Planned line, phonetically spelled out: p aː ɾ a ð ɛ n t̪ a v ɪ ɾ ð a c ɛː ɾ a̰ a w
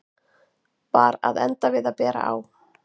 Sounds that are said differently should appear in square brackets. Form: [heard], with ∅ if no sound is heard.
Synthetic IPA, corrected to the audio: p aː ɾ a ð ɛ n t̪ a v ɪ [∅] ð a [p] ɛː ɾ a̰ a w

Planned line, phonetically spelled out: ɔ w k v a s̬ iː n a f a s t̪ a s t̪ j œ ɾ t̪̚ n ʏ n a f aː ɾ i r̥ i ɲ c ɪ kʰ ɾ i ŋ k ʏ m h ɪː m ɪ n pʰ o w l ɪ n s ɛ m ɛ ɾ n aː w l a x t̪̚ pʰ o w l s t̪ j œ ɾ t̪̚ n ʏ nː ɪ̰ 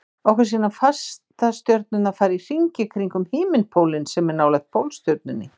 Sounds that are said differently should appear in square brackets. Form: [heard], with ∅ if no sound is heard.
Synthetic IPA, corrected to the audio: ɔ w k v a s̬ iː n a f a s t̪ a s t̪ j œ ɾ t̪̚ n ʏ n a f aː ɾ i r̥ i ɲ c ɪ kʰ ɾ i ŋ k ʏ m h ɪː m ɪ n pʰ o w l ɪ n s ɛ m ɛ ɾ n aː w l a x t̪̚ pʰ o w l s t̪ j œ ɾ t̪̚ n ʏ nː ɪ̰

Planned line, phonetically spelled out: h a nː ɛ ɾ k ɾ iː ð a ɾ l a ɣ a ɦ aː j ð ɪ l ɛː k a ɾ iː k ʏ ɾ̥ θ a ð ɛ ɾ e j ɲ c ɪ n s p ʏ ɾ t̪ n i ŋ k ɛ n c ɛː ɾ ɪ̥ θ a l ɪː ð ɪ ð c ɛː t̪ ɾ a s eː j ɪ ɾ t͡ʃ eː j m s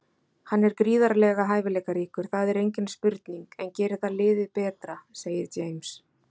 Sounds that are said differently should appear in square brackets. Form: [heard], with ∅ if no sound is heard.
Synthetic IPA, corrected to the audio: h a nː ɛ ɾ k ɾ iː ð a ɾ l [ɛ] ɣ a ɦ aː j [v] ɪ l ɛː k a ɾ iː k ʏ ɾ̥ θ a ð ɛ ɾ e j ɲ c ɪ n s p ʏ ɾ t̪ n i ŋ k ɛ n c ɛː ɾ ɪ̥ θ a l ɪː ð ɪ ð [p] ɛː t̪ ɾ a s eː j ɪ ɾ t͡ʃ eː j m s

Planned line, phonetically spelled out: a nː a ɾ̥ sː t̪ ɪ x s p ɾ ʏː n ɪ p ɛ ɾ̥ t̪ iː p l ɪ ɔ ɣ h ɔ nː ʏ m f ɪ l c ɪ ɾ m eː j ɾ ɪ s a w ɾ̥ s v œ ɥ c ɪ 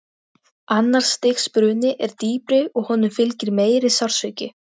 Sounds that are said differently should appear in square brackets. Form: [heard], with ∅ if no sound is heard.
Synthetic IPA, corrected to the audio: a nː a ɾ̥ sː t̪ ɪ x s p ɾ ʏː n ɪ [ʔ] ɛ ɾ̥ t̪ iː p [ɾ] ɪ ɔ ɣ h ɔ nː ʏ m f ɪ l c ɪ ɾ m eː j ɾ ɪ s a w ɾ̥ s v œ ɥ c ɪ

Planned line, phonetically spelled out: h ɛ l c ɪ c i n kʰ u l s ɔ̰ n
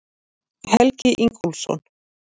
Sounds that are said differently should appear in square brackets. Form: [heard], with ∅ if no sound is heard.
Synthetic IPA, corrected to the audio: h ɛ l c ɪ [ʔ] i [ŋ] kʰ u l s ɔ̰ n

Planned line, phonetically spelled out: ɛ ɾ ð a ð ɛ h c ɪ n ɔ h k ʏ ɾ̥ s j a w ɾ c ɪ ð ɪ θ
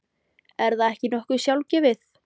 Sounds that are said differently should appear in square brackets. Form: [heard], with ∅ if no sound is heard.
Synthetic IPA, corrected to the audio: ɛ ɾ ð a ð ɛ h c ɪ n ɔ h k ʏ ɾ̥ s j a w [l] c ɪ [v] ɪ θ

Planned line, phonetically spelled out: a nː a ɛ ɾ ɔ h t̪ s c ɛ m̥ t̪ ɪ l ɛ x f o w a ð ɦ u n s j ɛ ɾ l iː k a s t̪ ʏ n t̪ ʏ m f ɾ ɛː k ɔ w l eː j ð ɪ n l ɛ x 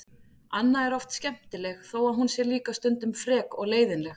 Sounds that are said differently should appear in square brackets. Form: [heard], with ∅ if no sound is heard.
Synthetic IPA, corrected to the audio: a nː a ɛ ɾ ɔ [f] t̪ s c ɛ m̥ t̪ ɪ l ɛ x [θ] o w a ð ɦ u n s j ɛ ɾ l iː k a s t̪ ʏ n t̪ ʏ m f ɾ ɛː k ɔ [ɣ] l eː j ð ɪ n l ɛ x

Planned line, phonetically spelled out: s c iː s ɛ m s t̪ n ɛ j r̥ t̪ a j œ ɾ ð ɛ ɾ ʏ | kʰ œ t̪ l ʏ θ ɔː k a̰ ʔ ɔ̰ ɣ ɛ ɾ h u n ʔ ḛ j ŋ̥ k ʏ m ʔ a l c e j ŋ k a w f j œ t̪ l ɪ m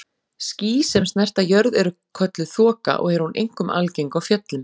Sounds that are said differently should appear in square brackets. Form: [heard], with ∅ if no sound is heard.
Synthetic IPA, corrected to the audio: s c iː s ɛ m s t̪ n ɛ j r̥ t̪ a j œ ɾ ð ɛ ɾ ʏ | kʰ œ t̪ l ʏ θ ɔː k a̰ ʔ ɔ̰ ɣ ɛ ɾ h u n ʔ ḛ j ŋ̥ k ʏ m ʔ a l c e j ŋ k a w f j œ t̪ l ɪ m

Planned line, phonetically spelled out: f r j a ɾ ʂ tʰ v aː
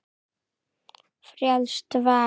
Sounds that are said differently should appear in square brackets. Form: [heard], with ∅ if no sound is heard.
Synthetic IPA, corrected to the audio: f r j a [l] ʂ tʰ v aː

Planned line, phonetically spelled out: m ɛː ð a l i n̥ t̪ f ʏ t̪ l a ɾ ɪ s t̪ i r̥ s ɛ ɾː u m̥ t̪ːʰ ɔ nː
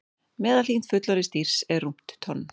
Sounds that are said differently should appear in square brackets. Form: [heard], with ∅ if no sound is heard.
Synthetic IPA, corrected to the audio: m ɛː ð a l i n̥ t̪ f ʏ t̪ l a ɾ ɪ s t̪ i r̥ s ɛ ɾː u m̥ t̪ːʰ ɔ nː

